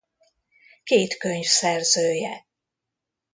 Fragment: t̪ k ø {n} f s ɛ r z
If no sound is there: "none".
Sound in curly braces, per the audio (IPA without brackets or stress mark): ɲ